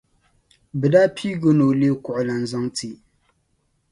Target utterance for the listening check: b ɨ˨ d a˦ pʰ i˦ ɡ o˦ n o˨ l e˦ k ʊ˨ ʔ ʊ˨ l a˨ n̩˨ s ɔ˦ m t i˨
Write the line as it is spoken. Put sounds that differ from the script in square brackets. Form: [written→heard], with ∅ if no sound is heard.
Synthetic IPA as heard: b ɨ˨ d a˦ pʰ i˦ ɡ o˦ n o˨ l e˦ k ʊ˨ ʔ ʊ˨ l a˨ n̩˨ [s→z] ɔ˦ [m→ŋ] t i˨